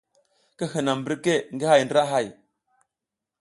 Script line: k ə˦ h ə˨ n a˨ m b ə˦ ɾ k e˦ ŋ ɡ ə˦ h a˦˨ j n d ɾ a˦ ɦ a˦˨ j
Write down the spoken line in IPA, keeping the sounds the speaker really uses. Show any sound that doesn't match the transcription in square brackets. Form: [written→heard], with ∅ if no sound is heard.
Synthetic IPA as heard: k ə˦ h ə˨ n a˨ m b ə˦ ɾ k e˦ ŋ ɡ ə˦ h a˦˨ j n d ɾ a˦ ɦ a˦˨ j